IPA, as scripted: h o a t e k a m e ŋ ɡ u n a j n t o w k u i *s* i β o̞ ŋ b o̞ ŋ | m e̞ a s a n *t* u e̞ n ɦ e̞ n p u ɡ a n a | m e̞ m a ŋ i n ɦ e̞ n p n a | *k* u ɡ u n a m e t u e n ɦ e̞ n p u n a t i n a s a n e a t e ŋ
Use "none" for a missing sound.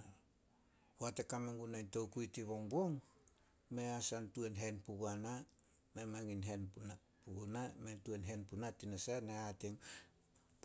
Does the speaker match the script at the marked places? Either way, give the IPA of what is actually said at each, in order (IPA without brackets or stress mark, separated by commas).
t, t, p